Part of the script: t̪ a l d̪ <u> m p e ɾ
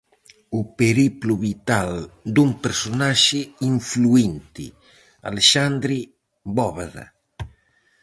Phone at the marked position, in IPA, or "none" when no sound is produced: u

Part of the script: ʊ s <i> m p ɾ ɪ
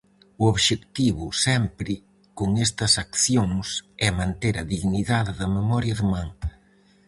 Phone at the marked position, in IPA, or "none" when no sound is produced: ɛ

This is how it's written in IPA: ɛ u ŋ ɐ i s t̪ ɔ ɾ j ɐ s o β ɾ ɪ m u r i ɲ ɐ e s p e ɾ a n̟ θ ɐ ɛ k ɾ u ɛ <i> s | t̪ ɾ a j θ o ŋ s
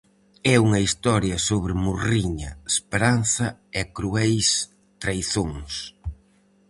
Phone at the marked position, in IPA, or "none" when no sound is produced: j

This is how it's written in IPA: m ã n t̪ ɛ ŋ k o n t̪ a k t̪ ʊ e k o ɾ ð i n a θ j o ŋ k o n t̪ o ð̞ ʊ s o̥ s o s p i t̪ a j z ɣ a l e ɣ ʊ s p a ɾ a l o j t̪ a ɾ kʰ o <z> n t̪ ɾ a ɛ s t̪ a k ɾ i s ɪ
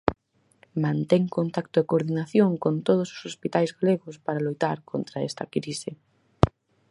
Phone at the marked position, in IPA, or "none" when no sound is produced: none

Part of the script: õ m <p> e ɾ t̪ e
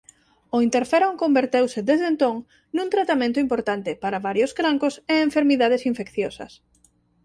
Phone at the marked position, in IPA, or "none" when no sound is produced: b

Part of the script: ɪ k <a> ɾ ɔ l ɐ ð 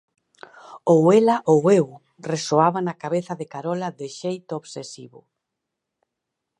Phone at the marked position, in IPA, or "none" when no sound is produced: a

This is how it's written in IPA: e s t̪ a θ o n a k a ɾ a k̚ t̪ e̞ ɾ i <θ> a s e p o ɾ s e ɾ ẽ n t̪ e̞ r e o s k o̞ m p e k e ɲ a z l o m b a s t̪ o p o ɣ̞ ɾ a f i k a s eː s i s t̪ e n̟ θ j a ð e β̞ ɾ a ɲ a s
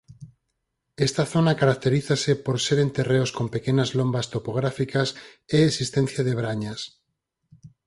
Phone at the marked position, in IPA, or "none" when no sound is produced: θ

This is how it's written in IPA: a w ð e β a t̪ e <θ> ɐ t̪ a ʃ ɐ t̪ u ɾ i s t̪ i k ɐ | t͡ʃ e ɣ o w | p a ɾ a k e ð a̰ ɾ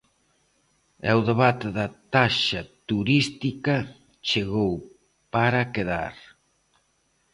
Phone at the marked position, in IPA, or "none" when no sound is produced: ð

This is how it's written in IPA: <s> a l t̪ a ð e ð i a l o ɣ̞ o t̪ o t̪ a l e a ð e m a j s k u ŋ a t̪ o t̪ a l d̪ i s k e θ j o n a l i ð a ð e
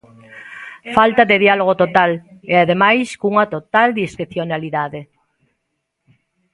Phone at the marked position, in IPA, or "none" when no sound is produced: f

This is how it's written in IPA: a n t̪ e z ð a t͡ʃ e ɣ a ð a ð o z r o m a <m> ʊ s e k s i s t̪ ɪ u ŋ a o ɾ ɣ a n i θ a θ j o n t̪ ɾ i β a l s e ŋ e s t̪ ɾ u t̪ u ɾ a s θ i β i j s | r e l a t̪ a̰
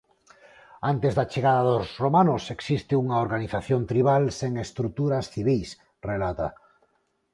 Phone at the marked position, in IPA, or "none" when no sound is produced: n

